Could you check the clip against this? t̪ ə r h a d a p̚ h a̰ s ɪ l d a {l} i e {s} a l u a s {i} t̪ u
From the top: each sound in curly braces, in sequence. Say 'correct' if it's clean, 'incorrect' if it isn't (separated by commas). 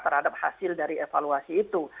incorrect, incorrect, incorrect